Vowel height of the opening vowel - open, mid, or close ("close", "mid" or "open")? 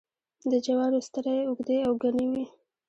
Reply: mid